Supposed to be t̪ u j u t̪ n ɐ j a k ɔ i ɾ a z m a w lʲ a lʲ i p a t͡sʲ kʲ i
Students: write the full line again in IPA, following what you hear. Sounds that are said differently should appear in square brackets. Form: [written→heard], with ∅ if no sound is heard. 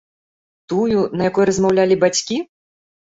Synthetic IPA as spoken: t̪ u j u [t̪→∅] n ɐ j a k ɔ [i→j] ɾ [a→ɐ] z m a w lʲ a lʲ i [p→b] a t͡sʲ kʲ i